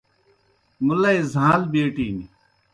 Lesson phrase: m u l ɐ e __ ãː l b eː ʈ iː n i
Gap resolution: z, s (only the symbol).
z